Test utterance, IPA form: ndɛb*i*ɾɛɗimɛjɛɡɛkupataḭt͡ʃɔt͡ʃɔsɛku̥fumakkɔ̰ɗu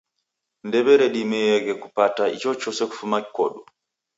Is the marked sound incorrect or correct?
incorrect